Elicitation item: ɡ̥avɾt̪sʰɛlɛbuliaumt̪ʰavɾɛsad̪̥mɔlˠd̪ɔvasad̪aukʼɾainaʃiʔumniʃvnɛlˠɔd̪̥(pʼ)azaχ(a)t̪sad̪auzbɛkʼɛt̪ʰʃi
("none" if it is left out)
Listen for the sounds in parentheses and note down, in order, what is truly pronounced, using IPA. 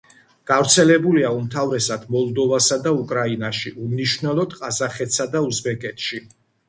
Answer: qʼ, ɛ

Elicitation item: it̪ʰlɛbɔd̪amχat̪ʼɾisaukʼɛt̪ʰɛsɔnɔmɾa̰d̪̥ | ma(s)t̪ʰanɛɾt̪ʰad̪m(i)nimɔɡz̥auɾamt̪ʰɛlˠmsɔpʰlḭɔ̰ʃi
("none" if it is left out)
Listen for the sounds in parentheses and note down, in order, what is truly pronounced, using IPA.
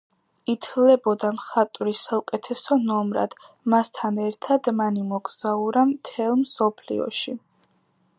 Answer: s, a

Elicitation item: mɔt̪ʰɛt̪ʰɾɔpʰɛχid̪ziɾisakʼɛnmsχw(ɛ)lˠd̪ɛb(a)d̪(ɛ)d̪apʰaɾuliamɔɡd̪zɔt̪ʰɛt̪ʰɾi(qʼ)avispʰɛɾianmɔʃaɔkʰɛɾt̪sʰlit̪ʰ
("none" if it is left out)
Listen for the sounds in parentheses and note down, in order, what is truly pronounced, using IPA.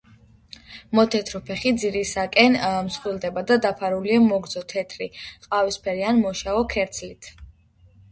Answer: i, a, a, qʼ

